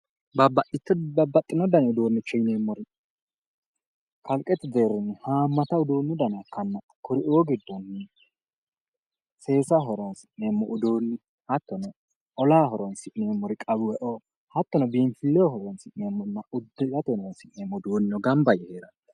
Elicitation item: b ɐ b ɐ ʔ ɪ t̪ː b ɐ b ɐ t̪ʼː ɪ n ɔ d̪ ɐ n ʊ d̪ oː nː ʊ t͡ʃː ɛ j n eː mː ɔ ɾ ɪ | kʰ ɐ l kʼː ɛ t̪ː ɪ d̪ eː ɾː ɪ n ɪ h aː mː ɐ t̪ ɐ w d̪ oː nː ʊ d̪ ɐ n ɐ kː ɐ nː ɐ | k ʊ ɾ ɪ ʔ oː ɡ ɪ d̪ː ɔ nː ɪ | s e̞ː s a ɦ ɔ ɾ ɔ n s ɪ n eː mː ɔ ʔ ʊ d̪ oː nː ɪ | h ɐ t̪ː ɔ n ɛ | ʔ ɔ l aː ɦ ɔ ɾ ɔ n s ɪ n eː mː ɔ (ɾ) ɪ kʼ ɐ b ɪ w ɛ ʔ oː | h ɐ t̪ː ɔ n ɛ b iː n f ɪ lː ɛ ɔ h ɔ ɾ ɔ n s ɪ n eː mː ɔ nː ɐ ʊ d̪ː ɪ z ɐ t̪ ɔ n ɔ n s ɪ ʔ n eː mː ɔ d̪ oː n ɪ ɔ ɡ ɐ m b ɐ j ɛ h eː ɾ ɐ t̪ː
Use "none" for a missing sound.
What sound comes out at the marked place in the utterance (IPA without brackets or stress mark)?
ɾ